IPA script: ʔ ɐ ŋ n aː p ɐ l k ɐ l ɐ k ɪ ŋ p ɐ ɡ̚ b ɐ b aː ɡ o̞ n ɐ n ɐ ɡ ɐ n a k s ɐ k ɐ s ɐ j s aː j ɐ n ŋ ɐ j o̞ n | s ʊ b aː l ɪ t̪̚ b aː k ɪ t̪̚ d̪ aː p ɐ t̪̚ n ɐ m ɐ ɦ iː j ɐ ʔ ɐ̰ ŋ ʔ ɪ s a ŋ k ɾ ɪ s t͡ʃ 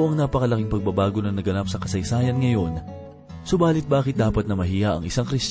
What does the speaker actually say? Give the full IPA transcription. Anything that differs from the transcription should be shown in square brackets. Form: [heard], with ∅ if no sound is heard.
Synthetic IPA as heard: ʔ ɐ ŋ n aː p ɐ [∅] k ɐ l ɐ k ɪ ŋ p ɐ ɡ̚ b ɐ b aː ɡ o̞ n ɐ n ɐ ɡ ɐ n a [p] s ɐ k ɐ s ɐ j s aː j ɐ n ŋ ɐ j o̞ n | s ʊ b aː l ɪ t̪̚ b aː k ɪ t̪̚ d̪ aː p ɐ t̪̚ n ɐ m ɐ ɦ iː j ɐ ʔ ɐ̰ ŋ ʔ ɪ s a ŋ k ɾ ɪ s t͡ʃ